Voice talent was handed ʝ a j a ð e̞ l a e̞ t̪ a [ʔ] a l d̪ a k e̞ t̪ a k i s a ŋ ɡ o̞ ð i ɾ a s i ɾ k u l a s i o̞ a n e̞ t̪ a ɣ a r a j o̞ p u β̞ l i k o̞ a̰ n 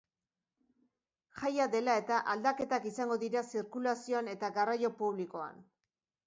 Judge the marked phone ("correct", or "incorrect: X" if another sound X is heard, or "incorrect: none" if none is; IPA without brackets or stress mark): correct